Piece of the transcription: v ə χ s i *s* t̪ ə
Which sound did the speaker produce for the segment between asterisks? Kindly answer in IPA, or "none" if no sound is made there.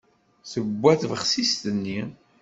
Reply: s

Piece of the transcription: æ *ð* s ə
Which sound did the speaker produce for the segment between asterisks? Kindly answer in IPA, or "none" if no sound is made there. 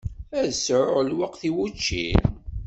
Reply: ð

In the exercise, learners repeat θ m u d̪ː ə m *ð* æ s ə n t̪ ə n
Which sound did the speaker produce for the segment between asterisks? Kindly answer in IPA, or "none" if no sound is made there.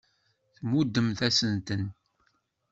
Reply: θ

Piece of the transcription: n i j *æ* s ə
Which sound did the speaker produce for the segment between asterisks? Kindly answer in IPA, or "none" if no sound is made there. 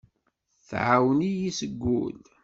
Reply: i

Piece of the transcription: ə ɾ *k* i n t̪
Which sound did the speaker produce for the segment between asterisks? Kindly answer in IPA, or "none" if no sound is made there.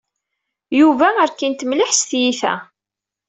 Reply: k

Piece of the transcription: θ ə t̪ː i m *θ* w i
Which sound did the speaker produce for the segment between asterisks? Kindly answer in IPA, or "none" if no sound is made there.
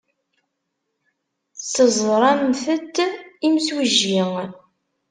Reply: s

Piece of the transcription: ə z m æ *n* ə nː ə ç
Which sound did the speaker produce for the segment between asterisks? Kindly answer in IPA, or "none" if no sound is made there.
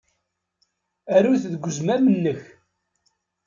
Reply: m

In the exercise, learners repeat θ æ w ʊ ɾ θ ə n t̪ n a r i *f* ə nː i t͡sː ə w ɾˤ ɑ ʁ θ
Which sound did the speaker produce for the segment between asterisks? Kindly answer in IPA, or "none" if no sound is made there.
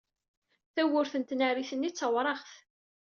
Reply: θ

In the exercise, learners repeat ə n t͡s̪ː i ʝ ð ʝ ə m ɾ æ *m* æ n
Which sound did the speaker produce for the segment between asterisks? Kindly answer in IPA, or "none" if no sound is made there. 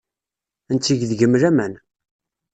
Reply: m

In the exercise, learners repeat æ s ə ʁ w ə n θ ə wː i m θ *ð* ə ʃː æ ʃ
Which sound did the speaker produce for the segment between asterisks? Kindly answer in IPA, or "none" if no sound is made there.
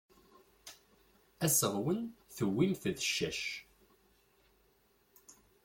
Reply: ð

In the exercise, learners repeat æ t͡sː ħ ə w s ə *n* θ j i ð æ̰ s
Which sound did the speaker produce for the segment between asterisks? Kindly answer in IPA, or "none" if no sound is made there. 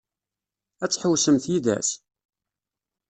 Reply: m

